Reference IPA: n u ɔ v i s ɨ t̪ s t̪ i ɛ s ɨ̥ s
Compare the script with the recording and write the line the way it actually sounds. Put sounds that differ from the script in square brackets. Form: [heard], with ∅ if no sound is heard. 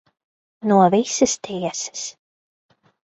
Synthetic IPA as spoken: n u ɔ v i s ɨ [∅] s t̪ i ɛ s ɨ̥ s